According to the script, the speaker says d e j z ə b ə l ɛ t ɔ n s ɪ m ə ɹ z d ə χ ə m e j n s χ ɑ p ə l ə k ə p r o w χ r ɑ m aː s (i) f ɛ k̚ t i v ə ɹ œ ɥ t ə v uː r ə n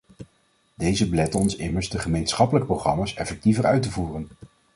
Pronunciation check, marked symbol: incorrect: ɛ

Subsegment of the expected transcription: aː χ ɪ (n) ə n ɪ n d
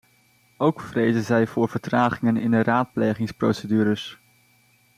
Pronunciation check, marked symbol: incorrect: ŋ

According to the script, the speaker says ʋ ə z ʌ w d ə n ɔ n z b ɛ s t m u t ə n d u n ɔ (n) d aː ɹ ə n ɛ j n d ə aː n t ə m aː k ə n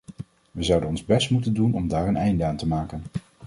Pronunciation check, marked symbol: incorrect: m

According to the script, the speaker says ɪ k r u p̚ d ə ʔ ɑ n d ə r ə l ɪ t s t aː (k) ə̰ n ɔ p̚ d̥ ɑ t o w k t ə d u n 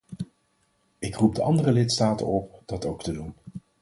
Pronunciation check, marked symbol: incorrect: t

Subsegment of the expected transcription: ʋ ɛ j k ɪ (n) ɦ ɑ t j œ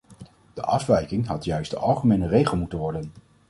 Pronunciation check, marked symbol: incorrect: ŋ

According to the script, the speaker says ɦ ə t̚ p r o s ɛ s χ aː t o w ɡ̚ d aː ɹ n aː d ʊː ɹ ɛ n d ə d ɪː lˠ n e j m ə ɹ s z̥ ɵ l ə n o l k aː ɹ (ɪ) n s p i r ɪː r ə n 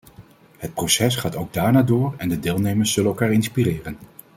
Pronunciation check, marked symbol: correct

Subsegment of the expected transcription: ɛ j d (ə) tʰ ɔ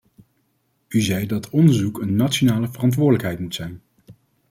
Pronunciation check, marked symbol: incorrect: ɑ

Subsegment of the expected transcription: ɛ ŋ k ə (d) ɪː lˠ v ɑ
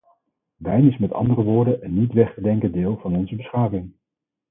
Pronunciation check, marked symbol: correct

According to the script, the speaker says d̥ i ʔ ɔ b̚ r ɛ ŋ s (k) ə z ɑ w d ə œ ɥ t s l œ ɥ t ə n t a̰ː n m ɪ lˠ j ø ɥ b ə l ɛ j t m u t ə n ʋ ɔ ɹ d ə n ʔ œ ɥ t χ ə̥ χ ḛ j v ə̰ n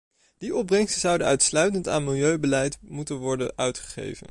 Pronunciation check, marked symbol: incorrect: t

